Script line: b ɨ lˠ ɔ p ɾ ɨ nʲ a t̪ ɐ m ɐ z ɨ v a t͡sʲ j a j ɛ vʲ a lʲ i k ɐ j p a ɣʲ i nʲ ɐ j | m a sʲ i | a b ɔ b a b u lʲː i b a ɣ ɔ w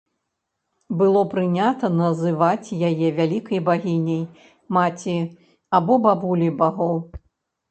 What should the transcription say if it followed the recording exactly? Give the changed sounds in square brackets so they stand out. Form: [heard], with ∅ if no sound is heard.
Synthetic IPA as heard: b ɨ lˠ ɔ p ɾ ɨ nʲ a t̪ ɐ [n] ɐ z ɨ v a t͡sʲ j a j ɛ vʲ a lʲ i k ɐ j [b] a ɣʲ i nʲ ɐ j | m a [t͡sʲ] i | a b ɔ b a b u [lʲ] i b a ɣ ɔ w